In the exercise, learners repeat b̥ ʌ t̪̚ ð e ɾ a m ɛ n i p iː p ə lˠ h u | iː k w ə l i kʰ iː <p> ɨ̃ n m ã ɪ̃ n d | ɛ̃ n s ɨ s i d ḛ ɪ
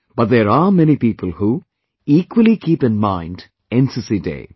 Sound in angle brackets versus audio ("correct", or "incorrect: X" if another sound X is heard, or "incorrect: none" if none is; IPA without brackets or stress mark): correct